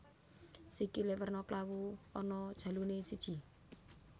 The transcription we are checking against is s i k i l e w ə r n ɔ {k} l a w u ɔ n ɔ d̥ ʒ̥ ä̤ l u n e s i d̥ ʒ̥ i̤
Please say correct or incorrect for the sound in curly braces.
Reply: correct